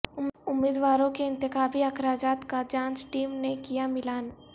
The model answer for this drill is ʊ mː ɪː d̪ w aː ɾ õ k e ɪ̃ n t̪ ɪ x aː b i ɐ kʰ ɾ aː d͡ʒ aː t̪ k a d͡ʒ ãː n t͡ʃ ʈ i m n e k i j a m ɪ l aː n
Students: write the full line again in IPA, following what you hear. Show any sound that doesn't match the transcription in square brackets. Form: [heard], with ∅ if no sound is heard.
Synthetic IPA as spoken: ʊ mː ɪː d̪ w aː ɾ õ k e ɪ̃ n t̪ ɪ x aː b i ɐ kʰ ɾ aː d͡ʒ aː t̪ k a d͡ʒ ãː n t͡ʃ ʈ [iː] m n e k i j a m ɪ l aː n